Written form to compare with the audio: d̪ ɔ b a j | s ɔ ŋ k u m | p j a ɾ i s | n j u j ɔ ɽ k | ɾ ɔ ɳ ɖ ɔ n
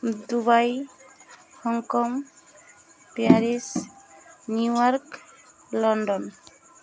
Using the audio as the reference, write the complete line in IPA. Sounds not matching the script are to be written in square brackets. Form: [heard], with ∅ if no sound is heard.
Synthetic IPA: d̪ [u] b a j | [h] ɔ ŋ k [ɔ] m | p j a ɾ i s | n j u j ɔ [ɾ] k | [l] ɔ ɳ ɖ ɔ n